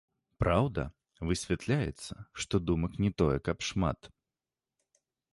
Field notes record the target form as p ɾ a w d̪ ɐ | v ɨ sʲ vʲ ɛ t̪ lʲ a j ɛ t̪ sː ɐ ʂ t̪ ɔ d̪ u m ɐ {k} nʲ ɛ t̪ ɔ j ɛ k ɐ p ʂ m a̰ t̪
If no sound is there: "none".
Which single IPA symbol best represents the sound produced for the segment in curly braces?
k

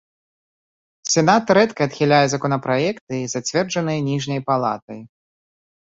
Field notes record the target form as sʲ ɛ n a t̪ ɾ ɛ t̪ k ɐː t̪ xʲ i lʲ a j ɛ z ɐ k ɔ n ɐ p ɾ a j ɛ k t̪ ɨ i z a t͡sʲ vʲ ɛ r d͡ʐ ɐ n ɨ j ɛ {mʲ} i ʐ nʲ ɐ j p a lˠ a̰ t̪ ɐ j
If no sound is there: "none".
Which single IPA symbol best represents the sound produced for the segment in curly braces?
nʲ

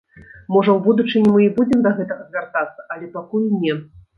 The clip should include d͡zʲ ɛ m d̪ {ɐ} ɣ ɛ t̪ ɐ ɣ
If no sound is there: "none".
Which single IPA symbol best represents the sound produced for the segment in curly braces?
ɐ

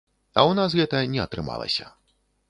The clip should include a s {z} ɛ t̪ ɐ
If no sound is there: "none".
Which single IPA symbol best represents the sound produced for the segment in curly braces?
ɣ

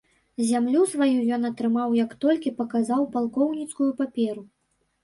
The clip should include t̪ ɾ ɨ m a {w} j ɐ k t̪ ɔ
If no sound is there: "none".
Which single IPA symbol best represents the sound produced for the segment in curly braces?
w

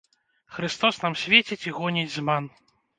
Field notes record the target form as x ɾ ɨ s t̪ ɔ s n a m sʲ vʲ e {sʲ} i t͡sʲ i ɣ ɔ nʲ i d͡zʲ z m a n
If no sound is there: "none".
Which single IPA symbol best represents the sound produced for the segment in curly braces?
t͡sʲ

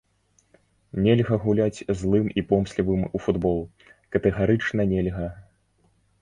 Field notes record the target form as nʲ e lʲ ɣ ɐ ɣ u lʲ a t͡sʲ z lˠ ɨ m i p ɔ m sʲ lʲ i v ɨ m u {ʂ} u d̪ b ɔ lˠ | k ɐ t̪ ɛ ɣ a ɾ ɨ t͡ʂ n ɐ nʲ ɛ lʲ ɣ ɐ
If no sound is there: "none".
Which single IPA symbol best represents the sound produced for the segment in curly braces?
f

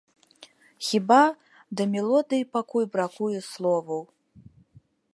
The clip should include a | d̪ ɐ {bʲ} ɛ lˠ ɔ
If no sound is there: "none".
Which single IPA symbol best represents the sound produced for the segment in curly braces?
mʲ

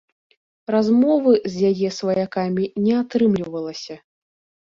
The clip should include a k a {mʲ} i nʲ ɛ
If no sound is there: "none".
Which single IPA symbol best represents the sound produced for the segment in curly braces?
mʲ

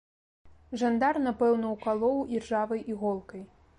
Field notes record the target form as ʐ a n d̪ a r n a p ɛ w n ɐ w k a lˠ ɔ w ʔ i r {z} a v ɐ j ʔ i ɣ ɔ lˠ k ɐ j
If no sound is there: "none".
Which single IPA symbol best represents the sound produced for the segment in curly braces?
ʐ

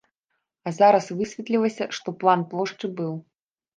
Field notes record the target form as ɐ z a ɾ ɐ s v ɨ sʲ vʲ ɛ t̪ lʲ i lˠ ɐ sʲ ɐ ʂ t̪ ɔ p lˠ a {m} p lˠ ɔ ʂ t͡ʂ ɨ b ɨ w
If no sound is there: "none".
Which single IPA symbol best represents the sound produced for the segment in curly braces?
n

